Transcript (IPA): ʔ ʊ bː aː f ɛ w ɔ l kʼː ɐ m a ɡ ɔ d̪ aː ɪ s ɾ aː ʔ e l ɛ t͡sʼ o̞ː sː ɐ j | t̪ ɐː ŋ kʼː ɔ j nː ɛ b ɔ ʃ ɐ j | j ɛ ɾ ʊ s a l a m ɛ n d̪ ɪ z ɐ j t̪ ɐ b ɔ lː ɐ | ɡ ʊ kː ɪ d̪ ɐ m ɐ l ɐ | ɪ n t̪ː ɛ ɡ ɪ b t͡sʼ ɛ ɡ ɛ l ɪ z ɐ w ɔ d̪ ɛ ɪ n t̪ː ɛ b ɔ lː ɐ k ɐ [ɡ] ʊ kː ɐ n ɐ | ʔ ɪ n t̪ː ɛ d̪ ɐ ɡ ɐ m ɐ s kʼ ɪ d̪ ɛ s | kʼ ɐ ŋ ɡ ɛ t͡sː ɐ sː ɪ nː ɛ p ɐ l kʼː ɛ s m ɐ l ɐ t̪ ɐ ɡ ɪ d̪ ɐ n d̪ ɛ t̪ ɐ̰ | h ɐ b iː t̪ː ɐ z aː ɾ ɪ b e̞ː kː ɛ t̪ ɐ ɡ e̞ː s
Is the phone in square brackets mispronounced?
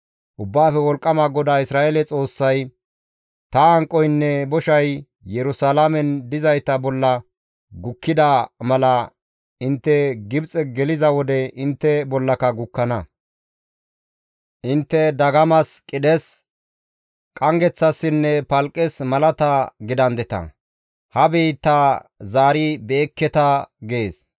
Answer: no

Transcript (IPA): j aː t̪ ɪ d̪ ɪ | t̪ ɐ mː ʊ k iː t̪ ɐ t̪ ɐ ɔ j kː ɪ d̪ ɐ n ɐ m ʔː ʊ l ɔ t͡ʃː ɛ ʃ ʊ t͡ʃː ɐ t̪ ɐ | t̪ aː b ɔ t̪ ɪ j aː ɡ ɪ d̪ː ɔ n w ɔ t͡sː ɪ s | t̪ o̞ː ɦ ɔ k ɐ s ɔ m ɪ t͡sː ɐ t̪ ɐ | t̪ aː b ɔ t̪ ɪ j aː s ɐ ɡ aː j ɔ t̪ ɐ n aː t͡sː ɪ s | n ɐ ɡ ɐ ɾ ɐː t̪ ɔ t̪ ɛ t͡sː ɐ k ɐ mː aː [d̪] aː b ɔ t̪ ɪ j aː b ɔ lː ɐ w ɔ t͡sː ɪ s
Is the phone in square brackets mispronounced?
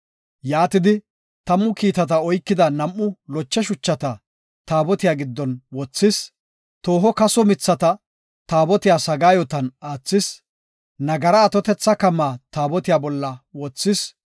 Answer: yes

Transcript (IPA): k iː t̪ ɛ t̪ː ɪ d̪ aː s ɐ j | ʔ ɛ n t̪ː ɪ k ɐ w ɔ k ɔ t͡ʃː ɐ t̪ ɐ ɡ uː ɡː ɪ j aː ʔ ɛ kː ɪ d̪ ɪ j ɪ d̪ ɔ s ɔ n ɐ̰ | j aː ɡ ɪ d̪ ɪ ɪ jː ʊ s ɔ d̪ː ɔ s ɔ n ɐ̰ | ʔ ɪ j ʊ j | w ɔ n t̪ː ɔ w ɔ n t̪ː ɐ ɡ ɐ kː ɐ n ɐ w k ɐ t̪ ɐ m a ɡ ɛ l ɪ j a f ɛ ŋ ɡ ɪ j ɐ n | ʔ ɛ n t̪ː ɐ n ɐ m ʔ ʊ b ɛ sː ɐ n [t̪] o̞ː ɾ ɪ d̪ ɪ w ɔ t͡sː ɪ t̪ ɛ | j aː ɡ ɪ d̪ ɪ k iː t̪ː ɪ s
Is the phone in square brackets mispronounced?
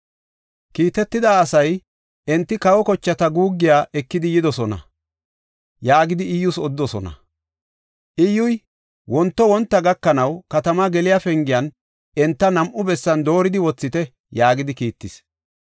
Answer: yes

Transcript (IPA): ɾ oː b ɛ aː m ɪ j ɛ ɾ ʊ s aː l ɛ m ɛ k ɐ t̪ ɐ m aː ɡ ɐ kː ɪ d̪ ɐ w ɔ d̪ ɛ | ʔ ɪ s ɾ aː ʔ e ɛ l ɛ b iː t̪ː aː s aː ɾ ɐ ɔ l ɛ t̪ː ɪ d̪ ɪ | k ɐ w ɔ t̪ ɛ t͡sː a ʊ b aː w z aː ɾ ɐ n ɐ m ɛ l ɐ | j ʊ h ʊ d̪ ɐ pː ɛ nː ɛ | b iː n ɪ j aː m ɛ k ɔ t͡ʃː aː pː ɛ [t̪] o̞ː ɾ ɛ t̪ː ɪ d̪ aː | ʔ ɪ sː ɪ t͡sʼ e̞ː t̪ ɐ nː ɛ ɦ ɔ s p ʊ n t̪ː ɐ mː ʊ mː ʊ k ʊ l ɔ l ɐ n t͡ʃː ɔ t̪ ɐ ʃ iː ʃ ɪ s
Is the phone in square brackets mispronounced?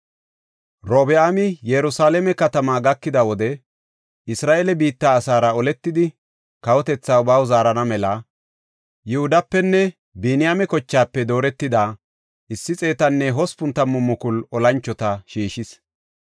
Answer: yes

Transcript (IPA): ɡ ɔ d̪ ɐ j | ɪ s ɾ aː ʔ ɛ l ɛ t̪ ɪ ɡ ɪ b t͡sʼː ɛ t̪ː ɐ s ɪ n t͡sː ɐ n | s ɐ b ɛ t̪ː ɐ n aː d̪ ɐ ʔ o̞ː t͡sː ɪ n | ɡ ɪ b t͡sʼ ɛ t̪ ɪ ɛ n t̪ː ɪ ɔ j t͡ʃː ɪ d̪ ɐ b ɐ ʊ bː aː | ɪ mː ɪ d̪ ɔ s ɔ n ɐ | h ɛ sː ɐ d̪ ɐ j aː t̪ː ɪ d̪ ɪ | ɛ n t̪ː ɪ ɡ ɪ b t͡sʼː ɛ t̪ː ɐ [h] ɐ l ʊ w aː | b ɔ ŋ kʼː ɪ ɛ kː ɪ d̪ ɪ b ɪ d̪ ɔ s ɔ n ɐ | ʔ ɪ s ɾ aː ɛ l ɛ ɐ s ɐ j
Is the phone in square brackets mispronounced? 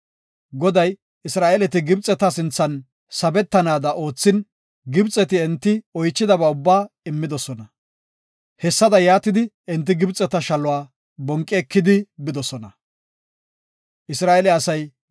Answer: yes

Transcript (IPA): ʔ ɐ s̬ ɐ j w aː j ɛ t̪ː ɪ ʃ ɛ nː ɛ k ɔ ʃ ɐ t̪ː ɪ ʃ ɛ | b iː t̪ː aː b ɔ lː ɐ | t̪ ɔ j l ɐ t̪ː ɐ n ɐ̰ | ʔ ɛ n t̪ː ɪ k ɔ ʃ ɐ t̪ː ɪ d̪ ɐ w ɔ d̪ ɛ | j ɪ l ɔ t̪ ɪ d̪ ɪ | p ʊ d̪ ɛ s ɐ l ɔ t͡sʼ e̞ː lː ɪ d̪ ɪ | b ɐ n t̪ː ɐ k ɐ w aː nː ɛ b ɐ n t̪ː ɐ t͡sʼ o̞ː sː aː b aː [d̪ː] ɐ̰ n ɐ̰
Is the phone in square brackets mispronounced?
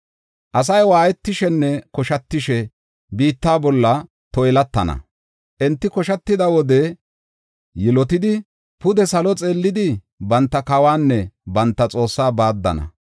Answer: no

